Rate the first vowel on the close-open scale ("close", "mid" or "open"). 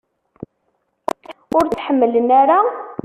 close